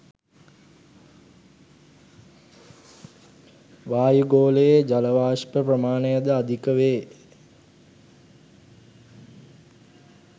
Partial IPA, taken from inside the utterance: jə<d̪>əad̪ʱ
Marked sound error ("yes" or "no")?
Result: no